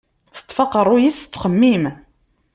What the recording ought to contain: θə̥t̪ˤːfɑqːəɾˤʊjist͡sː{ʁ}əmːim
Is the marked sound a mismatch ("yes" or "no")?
yes